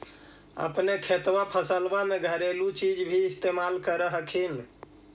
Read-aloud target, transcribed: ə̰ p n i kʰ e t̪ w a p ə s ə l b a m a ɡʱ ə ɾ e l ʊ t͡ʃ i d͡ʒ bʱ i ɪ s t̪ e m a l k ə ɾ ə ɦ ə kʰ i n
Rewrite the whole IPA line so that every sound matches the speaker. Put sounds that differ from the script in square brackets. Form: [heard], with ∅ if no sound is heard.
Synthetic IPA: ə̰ p n [e] kʰ e t̪ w a [pʰ] ə s ə l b a m [e] ɡʱ ə ɾ e l [u] t͡ʃ i d͡ʒ bʱ i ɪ s t̪ e m a l k ə ɾ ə ɦ ə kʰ i n